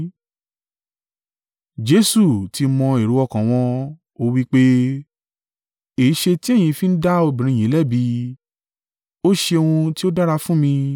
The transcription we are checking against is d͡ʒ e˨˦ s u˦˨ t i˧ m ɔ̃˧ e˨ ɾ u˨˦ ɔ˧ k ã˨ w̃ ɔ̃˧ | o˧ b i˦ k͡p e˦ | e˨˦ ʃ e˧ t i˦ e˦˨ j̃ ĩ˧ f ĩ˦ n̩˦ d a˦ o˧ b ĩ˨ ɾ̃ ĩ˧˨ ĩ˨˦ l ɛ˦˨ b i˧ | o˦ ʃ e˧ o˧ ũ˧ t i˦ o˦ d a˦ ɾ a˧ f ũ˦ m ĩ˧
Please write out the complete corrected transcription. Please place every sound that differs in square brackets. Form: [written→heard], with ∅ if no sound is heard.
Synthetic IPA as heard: d͡ʒ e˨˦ s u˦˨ t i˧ m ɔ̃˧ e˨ ɾ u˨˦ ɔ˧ k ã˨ w̃ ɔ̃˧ | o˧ [b→w] i˦ k͡p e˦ | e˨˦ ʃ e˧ t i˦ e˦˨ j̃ ĩ˧ f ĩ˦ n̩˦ d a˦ o˧ b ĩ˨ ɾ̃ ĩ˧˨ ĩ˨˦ l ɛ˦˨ b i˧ | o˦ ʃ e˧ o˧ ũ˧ t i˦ o˦ d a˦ ɾ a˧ f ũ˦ m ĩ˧